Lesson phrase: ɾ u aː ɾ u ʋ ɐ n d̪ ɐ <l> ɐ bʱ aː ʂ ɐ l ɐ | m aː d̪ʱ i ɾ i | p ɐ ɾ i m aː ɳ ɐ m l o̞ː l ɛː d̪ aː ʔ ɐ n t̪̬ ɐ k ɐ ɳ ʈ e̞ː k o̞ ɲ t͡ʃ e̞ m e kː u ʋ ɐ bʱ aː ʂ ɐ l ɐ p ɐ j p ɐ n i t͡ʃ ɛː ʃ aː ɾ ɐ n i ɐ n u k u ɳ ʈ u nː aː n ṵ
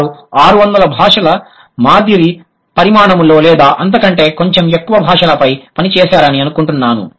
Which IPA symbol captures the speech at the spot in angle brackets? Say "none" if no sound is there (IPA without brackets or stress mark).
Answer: l